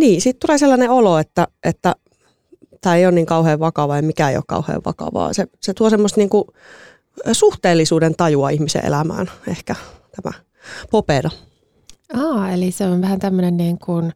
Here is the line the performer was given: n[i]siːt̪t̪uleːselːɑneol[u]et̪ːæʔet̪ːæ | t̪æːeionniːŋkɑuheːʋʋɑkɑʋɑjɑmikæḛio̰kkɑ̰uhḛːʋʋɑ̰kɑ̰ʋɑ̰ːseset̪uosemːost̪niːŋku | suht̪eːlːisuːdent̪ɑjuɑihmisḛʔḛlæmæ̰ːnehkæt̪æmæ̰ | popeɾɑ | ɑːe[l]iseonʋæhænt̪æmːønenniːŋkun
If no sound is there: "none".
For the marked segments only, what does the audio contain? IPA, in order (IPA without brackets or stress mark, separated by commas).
iː, o, l